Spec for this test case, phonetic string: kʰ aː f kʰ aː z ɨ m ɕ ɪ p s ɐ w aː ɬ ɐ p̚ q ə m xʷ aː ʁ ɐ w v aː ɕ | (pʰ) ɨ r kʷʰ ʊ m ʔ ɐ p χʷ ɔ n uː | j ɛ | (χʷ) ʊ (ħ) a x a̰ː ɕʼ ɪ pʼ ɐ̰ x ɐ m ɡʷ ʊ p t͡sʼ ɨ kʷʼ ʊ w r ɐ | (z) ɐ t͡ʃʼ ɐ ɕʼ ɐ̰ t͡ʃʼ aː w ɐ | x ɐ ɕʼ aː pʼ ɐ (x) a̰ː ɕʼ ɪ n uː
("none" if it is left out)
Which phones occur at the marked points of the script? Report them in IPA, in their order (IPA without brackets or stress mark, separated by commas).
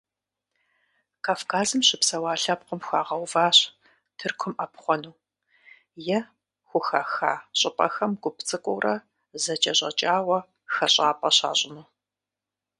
tʰ, xʷ, x, z, ɕ